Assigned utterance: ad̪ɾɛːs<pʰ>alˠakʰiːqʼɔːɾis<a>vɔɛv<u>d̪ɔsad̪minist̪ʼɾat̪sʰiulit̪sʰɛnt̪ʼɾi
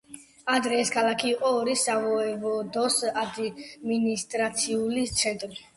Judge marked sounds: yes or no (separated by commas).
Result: no, yes, no